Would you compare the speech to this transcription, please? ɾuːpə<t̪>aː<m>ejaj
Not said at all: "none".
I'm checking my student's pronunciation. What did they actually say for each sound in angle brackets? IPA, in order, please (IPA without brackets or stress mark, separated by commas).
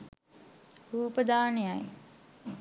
d̪, n